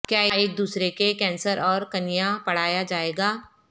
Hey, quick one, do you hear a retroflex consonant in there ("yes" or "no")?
yes